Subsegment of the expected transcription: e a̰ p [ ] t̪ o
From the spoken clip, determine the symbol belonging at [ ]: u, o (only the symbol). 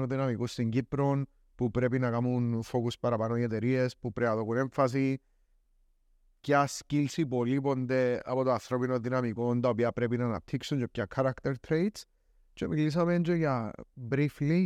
o